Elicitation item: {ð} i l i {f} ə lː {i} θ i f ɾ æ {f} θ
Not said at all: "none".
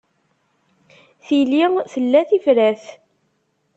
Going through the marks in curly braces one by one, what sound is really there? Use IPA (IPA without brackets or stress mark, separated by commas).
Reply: θ, θ, æ, none